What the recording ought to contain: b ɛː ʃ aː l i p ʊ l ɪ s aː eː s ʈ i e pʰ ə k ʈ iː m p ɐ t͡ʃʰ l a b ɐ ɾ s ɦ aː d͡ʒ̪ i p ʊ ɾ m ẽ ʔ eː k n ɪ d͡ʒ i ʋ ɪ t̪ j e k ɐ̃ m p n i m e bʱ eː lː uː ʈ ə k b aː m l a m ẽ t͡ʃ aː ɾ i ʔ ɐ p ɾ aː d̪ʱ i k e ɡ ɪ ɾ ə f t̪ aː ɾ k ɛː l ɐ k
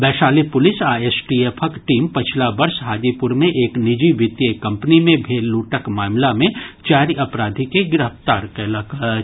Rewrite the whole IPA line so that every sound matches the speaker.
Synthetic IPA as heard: b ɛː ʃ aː l i p ʊ l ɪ s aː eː s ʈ i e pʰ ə k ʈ iː m p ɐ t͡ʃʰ l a b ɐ ɾ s ɦ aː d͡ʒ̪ i p ʊ ɾ m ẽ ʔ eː k n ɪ d͡ʒ i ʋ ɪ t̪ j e k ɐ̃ m p n i m ẽ bʱ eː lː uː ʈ ə k m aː m l a m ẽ t͡ʃ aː ɾ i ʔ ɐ p ɾ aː d̪ʱ i k e ɡ ɪ ɾ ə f t̪ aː ɾ k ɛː l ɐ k